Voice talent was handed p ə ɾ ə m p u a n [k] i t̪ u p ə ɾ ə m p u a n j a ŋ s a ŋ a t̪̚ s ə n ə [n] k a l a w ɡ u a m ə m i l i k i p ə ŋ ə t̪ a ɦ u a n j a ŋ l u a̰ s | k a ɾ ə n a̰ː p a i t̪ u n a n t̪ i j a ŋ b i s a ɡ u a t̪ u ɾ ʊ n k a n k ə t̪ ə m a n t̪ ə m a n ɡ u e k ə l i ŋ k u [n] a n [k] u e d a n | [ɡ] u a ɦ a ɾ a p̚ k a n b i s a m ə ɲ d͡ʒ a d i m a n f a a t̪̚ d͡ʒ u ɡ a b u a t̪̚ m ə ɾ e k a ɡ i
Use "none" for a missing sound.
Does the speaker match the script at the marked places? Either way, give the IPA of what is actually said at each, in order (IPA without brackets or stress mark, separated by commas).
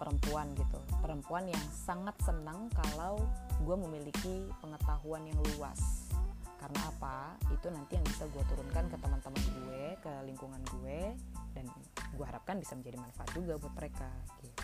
ɡ, ŋ, ŋ, ɡ, ɡ